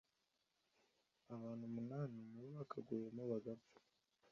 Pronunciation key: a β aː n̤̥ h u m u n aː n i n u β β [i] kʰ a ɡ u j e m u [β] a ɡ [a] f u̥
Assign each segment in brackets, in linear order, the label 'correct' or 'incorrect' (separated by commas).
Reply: incorrect, correct, correct